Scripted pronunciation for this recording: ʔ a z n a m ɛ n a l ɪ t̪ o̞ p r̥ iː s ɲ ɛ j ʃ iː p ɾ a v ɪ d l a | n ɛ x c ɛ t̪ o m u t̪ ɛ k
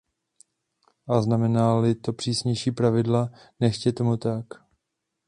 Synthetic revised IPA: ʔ a z n a m ɛ n a l ɪ t̪ o̞ p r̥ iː s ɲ ɛ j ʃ iː p ɾ a v ɪ d l a | n ɛ ʃ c ɛ t̪ o m u t̪ a k